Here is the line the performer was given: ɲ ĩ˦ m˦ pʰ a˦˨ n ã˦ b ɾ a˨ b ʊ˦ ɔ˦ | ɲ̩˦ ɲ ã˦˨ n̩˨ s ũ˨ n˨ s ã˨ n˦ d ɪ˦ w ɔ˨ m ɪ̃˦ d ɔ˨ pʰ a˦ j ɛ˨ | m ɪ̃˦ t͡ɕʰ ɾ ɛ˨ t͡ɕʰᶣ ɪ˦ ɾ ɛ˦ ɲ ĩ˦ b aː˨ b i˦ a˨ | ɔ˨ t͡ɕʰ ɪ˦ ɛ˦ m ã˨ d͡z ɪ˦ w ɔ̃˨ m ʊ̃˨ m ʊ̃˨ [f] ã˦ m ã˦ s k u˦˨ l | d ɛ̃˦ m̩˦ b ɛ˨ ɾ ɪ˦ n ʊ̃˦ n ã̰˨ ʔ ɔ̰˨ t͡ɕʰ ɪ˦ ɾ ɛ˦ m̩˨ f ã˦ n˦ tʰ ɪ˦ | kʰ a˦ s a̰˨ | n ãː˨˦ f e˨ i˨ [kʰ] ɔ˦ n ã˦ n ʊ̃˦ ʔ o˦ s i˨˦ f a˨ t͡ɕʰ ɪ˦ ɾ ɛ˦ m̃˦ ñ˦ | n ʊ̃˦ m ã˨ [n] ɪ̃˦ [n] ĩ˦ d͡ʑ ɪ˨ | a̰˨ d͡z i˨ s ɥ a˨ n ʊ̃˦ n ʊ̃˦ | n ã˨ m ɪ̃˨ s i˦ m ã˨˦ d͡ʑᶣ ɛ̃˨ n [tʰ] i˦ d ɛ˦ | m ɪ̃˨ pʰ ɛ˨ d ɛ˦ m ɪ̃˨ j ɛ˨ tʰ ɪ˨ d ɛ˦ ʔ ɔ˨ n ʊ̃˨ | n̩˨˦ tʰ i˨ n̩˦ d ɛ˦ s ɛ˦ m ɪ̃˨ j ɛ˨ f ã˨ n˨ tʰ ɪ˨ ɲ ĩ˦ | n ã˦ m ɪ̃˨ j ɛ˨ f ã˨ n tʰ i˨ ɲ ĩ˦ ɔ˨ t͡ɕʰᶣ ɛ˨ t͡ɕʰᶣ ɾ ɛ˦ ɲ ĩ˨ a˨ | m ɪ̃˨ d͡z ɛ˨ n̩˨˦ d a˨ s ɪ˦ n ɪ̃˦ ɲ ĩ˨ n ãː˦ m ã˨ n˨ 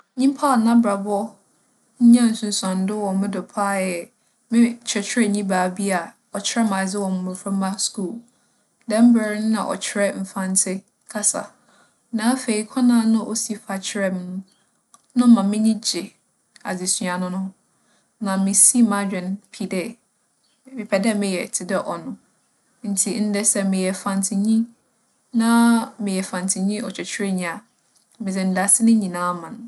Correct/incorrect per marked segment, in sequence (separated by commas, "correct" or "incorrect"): correct, correct, incorrect, incorrect, incorrect